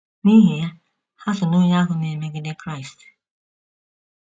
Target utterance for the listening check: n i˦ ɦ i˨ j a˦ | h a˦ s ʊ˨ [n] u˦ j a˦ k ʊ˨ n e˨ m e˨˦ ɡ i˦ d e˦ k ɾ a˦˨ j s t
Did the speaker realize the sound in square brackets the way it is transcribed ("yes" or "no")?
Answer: yes